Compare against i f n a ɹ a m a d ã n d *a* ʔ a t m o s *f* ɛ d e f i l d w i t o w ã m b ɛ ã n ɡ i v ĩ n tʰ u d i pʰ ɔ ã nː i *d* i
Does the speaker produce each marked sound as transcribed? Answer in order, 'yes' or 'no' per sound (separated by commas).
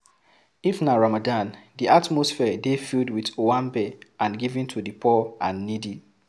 no, yes, yes